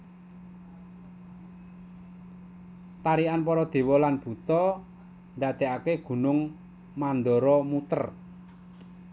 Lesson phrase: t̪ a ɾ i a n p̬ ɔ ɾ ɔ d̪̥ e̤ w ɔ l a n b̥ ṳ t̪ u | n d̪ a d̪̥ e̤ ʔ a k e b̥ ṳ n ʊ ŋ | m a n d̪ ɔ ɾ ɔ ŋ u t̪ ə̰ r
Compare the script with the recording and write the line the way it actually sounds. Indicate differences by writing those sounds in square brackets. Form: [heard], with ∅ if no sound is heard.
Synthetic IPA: t̪ a ɾ i a n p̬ ɔ ɾ ɔ d̪̥ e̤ w ɔ l a n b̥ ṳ t̪ [ɔ] | n d̪ a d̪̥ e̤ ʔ a k e [ɡ̥] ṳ n ʊ ŋ | m a n d̪ ɔ ɾ ɔ [m] u t̪ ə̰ r